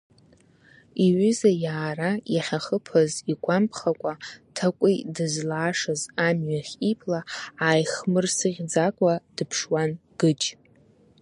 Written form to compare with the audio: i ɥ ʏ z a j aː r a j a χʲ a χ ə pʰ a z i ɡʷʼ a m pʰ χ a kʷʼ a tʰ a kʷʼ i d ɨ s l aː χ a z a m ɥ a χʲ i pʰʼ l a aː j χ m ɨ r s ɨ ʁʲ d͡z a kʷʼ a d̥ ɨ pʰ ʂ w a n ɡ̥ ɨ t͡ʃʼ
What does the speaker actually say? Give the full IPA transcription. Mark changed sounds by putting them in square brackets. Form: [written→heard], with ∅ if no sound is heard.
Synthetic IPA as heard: i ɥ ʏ z a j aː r a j a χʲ a χ ə pʰ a z i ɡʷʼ a m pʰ χ a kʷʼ a tʰ a kʷʼ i d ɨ [s→z] l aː [χ→ʂ] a z a m ɥ a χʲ i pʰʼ l a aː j χ m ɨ r s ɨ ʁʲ d͡z a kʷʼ a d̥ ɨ pʰ ʂ w a n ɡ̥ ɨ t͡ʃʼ